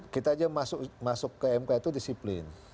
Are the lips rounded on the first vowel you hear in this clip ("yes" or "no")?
no